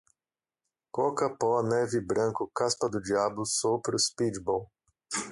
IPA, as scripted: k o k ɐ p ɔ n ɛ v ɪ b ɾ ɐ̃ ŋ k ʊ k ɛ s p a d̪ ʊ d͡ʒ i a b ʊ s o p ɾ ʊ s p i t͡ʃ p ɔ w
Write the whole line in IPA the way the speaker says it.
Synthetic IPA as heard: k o k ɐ p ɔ n ɛ v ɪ b ɾ ɐ̃ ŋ k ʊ k a s p ɐ d̪ ʊ d͡ʒ i a b ʊ s o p ɾ ʊ s p i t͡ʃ b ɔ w